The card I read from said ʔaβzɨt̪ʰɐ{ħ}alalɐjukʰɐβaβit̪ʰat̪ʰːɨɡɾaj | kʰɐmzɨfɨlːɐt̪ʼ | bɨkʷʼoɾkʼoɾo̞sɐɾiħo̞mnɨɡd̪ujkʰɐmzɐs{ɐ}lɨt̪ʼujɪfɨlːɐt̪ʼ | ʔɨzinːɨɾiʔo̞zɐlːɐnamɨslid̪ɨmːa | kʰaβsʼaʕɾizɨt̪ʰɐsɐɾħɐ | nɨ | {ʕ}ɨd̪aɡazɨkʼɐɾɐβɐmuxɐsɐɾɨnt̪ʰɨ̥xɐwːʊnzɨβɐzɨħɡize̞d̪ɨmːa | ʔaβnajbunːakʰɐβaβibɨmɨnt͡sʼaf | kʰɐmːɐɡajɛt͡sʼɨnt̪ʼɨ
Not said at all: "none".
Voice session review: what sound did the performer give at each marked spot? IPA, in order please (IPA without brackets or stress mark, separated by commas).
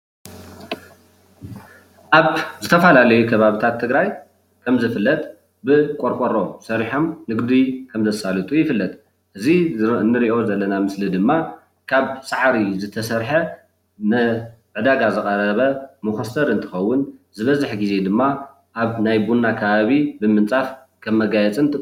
f, a, ʕ